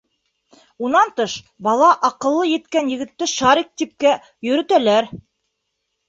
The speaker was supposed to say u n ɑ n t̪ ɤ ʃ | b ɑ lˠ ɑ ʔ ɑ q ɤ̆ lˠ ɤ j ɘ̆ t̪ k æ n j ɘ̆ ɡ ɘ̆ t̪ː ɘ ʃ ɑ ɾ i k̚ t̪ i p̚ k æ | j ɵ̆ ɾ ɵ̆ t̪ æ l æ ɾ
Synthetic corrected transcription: u n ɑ n t̪ ɤ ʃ | b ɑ lˠ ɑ ʔ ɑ q ɤ̆ lˠː ɤ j ɘ̆ t̪ k æ n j ɘ̆ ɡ ɘ̆ t̪ː ɘ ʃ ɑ ɾ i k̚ t̪ i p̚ k æ | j ɵ̆ ɾ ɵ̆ t̪ æ l æ ɾ